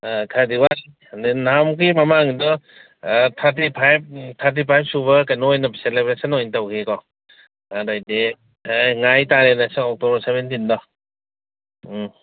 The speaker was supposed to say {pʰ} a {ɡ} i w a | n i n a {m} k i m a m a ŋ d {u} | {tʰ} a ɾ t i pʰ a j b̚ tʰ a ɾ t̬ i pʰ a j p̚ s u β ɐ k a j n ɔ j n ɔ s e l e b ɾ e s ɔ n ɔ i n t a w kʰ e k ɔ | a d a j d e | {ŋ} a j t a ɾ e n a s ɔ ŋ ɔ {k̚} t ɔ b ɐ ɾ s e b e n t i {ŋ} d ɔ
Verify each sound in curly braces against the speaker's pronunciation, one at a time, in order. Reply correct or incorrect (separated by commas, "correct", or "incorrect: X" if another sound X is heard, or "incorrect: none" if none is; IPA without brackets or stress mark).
incorrect: kʰ, incorrect: d, correct, incorrect: ɔ, correct, correct, correct, incorrect: n